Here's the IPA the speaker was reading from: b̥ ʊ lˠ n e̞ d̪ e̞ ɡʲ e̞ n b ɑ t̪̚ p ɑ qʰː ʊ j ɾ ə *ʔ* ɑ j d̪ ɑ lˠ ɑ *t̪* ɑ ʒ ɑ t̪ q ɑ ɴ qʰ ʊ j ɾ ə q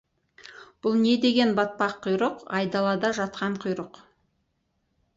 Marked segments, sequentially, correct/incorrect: incorrect: q, incorrect: d̪

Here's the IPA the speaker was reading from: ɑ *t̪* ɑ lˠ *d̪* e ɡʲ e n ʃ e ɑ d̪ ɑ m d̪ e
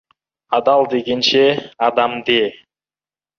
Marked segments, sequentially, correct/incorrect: incorrect: d̪, correct

